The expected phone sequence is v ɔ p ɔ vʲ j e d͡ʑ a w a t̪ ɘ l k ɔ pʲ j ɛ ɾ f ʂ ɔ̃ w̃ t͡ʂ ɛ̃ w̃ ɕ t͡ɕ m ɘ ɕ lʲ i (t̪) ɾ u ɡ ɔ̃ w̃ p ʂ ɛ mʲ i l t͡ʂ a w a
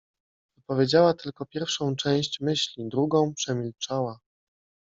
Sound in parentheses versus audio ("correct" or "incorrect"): incorrect